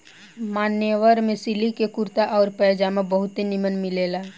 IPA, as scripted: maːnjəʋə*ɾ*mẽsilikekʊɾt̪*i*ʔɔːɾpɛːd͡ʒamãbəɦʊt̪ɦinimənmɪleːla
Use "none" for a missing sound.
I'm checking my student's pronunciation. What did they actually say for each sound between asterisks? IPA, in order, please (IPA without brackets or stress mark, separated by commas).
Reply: ɾ, a